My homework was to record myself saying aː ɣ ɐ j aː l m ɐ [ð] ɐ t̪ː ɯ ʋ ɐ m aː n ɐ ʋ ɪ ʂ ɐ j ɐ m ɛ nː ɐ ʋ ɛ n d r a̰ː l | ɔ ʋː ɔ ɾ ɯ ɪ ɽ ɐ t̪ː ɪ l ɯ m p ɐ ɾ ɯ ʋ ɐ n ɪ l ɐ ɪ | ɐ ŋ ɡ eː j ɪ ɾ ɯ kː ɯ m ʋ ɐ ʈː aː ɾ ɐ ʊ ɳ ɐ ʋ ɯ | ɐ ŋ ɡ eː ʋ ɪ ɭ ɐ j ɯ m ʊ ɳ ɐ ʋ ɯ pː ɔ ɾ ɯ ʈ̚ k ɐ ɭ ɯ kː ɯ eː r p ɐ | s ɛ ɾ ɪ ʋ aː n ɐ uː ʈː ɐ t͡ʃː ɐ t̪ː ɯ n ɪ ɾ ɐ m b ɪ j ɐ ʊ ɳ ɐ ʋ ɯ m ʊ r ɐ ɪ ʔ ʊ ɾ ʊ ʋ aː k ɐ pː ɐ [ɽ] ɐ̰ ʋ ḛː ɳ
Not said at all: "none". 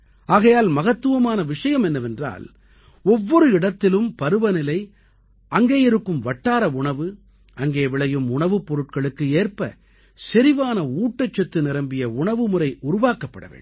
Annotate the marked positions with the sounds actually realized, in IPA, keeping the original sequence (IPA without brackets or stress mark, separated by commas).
ɣ, ɽ